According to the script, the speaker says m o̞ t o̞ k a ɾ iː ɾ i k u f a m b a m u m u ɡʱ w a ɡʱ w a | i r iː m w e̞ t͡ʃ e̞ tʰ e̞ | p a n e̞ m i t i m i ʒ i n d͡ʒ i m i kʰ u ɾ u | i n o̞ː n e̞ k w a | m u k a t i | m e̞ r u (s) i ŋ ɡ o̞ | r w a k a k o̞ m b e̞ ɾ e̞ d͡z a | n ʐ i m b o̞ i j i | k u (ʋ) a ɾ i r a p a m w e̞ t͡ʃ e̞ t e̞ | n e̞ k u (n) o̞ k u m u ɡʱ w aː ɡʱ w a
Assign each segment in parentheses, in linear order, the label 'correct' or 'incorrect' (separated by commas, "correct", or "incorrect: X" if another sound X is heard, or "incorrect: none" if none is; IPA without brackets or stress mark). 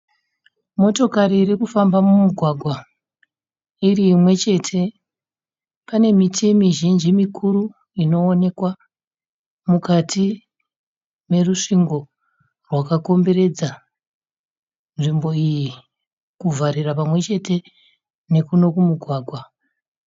incorrect: ʂ, incorrect: v, correct